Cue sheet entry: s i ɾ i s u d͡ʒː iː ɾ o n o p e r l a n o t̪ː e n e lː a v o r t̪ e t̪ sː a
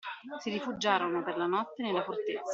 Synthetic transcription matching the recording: s i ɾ i f u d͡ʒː aː ɾ o n o p e r l a n ɔ t̪ː e n e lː a f o r t̪ e t̪ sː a